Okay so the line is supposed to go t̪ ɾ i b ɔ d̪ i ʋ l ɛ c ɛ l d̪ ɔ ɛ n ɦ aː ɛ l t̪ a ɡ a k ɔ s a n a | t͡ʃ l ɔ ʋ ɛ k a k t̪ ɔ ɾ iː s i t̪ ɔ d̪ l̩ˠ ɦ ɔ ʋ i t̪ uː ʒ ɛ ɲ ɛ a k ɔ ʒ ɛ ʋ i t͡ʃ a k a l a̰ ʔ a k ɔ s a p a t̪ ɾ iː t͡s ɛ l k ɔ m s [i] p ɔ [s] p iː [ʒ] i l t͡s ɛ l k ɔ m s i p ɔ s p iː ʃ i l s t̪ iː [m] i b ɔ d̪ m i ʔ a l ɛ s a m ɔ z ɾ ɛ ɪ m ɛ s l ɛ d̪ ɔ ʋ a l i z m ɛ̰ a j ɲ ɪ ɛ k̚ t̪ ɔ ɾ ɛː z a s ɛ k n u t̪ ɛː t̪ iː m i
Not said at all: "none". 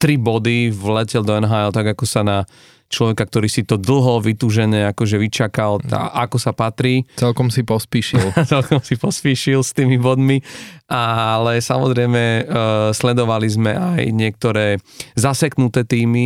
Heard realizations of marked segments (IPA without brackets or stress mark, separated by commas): i, s, ʃ, m